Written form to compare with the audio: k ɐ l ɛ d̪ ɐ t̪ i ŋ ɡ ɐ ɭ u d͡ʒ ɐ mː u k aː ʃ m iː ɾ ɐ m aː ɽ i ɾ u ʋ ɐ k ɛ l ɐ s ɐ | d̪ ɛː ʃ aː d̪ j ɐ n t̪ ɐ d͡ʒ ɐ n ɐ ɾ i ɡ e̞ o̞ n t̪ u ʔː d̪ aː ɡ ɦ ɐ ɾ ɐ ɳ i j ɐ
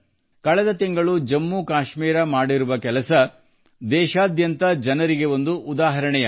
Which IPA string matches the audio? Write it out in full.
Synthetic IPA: k ɐ ɭ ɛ d̪ ɐ t̪ i ŋ ɡ ɐ ɭ u d͡ʒ ɐ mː u k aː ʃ m iː ɾ ɐ m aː ɽ i ɾ u ʋ ɐ k ɛ l ɐ s ɐ | d̪ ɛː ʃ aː d̪ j ɐ n t̪ ɐ d͡ʒ ɐ n ɐ ɾ i ɡ e̞ o̞ n d̪ u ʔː d̪ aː ɦ ɐ ɾ ɐ ɳ ɛ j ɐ